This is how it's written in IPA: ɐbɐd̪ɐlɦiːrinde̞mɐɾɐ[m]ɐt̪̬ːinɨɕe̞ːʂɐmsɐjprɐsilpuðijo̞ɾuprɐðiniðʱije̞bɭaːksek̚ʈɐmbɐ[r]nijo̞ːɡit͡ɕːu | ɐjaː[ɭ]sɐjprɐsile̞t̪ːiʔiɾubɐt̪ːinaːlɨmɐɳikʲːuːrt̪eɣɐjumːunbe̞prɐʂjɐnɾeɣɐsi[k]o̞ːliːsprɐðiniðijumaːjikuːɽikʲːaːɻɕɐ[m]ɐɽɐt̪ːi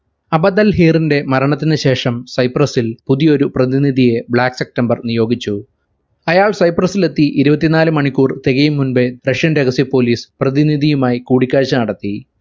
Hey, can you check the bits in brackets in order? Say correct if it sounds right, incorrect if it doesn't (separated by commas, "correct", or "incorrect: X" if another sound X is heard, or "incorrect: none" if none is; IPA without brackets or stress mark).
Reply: incorrect: ɳ, correct, correct, incorrect: p, incorrect: n